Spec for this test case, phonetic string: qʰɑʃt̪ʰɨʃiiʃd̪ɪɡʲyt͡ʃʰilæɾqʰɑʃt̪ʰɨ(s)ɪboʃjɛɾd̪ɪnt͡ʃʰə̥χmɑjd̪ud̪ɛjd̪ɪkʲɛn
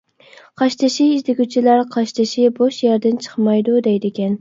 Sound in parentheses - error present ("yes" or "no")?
yes